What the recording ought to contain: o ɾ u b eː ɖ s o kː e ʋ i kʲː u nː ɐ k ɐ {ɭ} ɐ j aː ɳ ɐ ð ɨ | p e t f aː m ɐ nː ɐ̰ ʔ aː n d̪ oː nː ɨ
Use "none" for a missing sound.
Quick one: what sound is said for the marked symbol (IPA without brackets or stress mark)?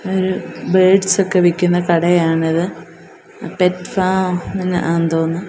ɽ